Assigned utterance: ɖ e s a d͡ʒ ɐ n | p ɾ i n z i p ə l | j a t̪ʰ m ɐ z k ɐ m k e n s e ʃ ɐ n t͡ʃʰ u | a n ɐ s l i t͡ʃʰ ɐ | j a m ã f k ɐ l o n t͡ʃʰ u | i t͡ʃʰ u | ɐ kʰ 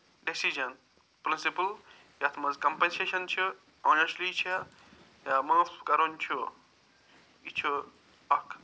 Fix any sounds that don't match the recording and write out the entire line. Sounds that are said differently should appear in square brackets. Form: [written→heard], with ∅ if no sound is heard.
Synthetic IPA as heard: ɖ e s [a→i] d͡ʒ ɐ n | p ɾ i n [z→s] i p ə l | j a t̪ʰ m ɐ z k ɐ m [k→p] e n s e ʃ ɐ n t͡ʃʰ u | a n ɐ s l i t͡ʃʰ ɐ | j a m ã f k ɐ [l→ɾ] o n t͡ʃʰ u | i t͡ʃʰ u | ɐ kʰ

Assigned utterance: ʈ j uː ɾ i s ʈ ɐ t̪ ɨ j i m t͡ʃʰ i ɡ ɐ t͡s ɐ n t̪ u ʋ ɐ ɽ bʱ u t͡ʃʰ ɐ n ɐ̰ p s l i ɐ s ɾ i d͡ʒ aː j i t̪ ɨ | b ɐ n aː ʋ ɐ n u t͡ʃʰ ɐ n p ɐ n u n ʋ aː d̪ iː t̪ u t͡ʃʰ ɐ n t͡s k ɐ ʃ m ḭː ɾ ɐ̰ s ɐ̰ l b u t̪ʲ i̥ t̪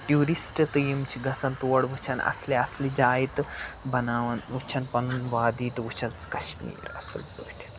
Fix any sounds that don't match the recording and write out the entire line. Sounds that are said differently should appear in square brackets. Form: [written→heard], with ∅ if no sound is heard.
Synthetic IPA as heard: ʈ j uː ɾ i s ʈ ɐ t̪ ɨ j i m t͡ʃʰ i ɡ ɐ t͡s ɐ n t̪ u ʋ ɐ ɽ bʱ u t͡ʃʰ ɐ n ɐ̰ [p→∅] s l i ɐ s [ɾ→l] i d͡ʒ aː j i t̪ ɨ | b ɐ n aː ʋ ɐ n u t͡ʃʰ ɐ n p ɐ n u n ʋ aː d̪ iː t̪ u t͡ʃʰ ɐ n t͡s k ɐ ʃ m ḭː ɾ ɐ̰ s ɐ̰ l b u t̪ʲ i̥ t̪

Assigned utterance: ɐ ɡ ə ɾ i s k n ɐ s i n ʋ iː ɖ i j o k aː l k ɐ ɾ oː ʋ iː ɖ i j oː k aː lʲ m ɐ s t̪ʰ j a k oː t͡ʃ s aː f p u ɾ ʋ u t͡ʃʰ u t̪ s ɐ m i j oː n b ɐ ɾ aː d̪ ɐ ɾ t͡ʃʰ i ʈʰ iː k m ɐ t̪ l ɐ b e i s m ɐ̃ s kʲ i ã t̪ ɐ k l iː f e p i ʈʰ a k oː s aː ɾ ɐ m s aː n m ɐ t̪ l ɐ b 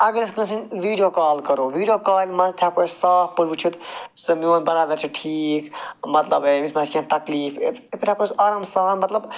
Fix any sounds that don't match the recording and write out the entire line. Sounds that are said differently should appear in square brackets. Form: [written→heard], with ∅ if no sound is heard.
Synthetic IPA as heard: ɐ ɡ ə ɾ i s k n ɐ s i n ʋ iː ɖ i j o k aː l k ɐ ɾ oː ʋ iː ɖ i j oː k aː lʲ m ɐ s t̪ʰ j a k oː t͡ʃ s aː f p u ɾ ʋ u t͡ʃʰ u t̪ s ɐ m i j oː n b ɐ ɾ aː d̪ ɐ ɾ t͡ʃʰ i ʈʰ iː k m ɐ t̪ l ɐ b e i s m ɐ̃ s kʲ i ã t̪ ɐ k l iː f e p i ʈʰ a k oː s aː ɾ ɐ m s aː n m ɐ t̪ l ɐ b

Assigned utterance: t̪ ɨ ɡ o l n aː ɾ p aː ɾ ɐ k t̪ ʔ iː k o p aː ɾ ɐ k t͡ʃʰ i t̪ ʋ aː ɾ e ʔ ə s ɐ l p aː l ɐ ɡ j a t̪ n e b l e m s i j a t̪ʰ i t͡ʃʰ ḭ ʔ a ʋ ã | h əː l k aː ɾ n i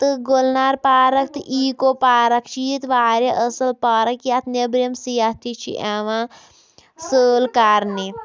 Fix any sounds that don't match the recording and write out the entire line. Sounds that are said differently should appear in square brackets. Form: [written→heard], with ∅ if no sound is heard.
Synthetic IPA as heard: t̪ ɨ ɡ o l n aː ɾ p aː ɾ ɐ k t̪ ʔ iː k o p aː ɾ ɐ k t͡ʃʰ i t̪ ʋ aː ɾ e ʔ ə s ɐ l p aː [l→ɾ] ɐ [ɡ→k] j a t̪ n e b [l→ɾ] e m s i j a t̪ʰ i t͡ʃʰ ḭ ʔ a ʋ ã | [h→s] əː l k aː ɾ n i

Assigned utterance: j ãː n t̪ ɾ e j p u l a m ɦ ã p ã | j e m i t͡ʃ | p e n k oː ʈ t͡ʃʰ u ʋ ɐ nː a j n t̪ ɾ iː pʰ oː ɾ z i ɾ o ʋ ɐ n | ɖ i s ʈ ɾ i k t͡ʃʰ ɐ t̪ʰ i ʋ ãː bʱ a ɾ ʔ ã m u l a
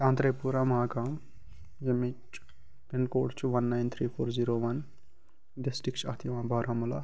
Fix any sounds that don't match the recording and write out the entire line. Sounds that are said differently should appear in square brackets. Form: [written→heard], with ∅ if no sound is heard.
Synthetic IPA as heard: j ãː n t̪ ɾ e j p u [l→ɾ] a m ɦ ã [p→k] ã | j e m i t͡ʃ | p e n k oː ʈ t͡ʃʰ u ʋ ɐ nː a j n [t̪→t̪ʰ] ɾ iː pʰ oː ɾ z i ɾ o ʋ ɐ n | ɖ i s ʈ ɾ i k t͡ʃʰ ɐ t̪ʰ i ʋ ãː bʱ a ɾ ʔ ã m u l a

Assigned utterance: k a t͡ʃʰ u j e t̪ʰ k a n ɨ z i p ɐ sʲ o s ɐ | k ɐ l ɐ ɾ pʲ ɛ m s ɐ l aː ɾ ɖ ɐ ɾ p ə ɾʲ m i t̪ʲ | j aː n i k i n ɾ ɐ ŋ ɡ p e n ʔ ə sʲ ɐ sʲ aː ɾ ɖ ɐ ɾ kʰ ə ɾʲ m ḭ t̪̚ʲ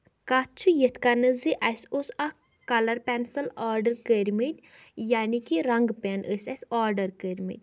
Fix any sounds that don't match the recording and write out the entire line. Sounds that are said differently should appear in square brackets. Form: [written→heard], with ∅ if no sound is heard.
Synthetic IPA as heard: k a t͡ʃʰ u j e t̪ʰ k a n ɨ z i [p→ʔ] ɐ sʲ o s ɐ | k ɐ l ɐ ɾ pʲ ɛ [m→n] s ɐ l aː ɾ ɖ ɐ ɾ [p→k] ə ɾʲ m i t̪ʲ | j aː n i k i [n→∅] ɾ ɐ ŋ ɡ p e n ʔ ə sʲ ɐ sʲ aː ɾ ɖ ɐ ɾ [kʰ→k] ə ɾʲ m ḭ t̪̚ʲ

